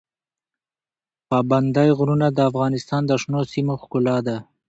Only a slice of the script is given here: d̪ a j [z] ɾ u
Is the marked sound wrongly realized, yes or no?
yes